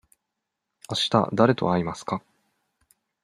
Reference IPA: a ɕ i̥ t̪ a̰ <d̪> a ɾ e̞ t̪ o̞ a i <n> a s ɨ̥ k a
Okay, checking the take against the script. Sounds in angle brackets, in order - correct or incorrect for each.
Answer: correct, incorrect: m

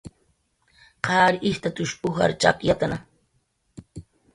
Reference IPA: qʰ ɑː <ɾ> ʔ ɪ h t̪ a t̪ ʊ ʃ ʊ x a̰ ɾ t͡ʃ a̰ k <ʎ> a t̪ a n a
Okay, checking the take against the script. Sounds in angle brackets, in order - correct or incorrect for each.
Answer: correct, incorrect: j

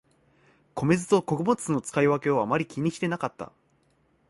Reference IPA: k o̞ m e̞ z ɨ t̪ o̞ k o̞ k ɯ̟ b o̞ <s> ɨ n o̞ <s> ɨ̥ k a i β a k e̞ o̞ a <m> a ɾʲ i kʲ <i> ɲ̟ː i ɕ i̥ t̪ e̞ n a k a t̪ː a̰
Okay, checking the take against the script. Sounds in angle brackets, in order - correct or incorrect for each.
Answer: incorrect: t͡s, incorrect: t͡s, correct, correct

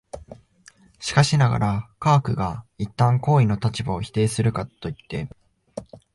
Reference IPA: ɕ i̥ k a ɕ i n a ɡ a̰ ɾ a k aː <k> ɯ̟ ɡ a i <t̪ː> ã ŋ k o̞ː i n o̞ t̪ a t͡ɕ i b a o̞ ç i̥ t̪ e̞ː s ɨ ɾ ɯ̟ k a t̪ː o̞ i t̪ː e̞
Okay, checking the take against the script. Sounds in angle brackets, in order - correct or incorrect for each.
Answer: correct, correct

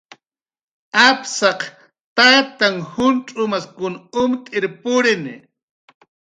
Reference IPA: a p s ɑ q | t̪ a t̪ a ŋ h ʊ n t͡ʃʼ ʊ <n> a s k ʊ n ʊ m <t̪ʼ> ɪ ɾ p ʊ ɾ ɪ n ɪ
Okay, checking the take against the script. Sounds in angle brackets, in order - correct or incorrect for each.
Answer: incorrect: m, correct

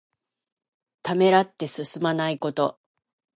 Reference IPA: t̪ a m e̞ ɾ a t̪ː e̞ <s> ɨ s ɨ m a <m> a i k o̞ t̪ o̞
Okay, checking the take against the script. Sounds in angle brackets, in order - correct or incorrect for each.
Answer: correct, incorrect: n

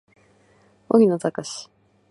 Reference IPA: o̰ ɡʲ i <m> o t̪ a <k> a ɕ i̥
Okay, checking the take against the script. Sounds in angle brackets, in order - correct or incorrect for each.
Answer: incorrect: n, correct

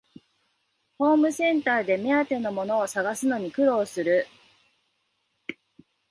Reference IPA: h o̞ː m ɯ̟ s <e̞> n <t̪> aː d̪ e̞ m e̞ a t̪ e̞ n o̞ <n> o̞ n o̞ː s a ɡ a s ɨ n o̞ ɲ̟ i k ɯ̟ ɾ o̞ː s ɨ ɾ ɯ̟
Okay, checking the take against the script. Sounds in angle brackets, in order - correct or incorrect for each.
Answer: incorrect: ẽ̞, correct, incorrect: m

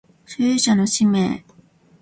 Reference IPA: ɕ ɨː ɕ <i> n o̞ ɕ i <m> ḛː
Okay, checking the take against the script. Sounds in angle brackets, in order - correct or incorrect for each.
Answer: incorrect: a, correct

